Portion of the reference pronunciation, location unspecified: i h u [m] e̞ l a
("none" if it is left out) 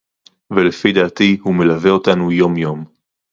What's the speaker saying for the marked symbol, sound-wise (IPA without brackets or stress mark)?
m